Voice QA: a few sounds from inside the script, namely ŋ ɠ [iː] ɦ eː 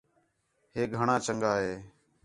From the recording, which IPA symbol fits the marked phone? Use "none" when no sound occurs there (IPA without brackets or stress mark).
aː